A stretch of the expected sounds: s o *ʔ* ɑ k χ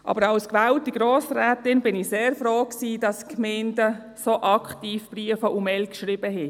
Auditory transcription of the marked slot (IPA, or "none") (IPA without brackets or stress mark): ʔ